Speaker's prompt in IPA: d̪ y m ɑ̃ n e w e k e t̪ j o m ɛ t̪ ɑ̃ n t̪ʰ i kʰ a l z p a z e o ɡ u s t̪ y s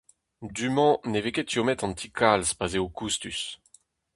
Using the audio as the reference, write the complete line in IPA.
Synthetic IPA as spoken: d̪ y m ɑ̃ n e v e k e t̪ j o m ɛ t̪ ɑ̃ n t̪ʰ i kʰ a l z p a z e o k u s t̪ y s